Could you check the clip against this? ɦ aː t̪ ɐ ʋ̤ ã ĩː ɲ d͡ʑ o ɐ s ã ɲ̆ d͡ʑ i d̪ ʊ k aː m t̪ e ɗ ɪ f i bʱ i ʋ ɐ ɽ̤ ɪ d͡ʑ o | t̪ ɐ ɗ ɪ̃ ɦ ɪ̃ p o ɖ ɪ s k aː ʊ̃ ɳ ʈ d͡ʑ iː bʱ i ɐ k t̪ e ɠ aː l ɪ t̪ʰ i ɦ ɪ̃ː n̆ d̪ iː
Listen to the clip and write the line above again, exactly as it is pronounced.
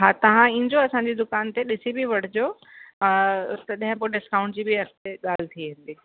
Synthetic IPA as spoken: ɦ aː t̪ ɐ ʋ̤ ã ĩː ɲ d͡ʑ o ɐ s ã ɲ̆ d͡ʑ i d̪ ʊ k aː n t̪ e ɗ ɪ s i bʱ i ʋ ɐ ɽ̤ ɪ d͡ʑ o | t̪ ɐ ɗ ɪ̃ ɦ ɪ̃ p o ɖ ɪ s k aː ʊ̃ ɳ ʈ d͡ʑ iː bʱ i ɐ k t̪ e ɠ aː l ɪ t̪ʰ i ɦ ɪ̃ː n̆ d̪ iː

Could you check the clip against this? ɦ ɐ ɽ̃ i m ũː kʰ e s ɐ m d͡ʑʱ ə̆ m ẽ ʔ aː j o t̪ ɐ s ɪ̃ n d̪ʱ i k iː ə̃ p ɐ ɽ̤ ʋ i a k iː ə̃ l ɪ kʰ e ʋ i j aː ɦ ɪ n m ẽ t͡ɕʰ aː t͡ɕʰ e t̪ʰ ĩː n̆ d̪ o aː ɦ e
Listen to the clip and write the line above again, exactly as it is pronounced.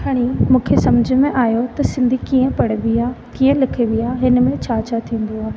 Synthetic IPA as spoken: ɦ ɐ ɽ̃ i m ũː kʰ e s ɐ m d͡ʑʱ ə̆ m ẽ ʔ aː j o t̪ ɐ s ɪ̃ n d̪ʱ i k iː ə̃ p ɐ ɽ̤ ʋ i a k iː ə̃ l ɪ kʰ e ʋ i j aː ɦ ɪ n m ẽ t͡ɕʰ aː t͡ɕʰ a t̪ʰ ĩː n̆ d̪ o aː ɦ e

